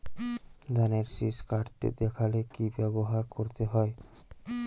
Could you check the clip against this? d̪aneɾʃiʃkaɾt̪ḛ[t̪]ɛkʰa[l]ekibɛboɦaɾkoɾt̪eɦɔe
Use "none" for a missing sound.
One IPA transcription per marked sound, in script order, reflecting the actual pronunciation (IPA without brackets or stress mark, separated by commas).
d̪, l